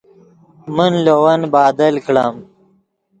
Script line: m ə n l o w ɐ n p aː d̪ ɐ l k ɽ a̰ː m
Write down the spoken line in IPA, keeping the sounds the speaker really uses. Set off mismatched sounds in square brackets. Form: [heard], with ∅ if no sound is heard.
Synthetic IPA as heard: m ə n l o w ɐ n [b] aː d̪ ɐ l k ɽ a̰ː m